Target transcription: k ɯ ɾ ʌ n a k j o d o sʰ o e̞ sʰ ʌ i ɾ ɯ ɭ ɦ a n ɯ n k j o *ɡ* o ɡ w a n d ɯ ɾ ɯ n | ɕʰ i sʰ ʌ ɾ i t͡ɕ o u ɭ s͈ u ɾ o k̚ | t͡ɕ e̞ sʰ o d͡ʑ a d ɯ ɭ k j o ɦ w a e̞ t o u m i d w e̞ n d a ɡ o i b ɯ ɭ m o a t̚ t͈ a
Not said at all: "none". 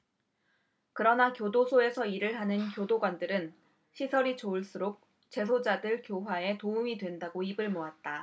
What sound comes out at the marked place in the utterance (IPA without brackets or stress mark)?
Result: d